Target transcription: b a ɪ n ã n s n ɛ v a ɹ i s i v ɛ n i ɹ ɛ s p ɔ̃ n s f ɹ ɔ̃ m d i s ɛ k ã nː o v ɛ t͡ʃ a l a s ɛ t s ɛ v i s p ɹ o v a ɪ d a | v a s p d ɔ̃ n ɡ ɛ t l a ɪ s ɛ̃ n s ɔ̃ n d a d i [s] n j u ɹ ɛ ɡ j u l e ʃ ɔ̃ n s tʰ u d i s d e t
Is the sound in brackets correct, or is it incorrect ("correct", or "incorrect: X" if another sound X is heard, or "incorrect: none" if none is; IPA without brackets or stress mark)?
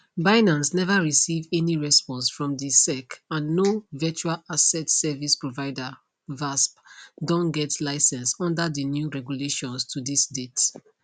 incorrect: none